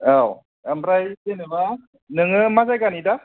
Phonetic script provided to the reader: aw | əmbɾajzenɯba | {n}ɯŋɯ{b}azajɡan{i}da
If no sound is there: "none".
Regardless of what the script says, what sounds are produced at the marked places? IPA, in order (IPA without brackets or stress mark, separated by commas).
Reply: n, m, i